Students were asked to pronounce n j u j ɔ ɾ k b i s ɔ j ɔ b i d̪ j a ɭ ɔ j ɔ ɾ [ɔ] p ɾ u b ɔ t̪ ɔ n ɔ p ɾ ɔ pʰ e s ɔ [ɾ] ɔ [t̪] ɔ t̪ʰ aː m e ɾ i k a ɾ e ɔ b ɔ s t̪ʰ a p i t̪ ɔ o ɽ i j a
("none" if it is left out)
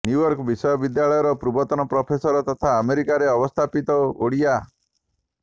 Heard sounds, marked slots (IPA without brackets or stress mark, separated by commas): ɔ, ɾ, t̪